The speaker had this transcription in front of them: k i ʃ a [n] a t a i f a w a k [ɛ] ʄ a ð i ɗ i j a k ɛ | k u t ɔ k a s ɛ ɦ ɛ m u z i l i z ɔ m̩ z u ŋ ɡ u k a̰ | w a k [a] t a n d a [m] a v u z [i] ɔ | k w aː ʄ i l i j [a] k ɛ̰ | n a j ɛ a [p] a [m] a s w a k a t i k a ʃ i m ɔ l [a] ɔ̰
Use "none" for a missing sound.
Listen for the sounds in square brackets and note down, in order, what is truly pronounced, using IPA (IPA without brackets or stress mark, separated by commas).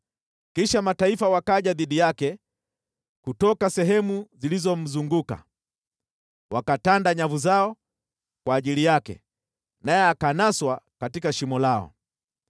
m, a, a, ɲ, a, a, k, n, a